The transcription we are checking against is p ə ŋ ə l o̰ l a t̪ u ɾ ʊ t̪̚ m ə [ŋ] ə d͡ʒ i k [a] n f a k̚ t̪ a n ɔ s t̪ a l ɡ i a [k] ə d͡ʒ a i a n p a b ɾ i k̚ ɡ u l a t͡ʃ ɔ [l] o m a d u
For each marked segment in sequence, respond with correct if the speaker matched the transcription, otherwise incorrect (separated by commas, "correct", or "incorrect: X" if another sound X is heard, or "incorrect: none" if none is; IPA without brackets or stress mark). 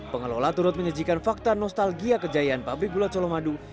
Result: incorrect: ɲ, correct, correct, correct